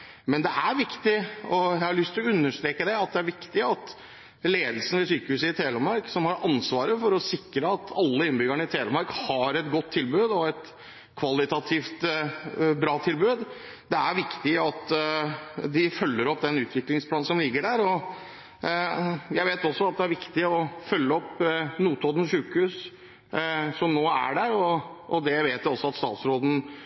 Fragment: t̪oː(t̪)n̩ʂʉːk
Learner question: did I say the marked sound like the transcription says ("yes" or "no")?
no